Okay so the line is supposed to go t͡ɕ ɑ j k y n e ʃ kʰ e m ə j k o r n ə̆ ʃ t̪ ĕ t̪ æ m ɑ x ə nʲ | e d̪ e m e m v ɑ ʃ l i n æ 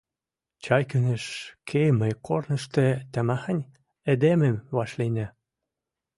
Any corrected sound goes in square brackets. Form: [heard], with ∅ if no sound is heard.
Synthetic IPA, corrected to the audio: t͡ɕ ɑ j k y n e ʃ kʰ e m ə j k o r n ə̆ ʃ t̪ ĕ t̪ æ m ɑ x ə nʲ | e d̪ e m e m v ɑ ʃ l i n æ